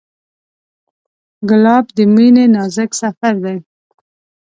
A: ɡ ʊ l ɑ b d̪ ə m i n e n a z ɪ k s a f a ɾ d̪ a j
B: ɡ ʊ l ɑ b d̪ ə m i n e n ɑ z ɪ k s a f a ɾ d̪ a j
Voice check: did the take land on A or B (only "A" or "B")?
B